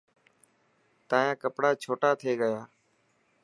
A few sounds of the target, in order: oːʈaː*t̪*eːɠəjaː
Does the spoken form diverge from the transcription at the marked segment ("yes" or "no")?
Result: yes